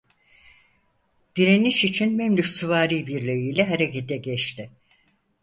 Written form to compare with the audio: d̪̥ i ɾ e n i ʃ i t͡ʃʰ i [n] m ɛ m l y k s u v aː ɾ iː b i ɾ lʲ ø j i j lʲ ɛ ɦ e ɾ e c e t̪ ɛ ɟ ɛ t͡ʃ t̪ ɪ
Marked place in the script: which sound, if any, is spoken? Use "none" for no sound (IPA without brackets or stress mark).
n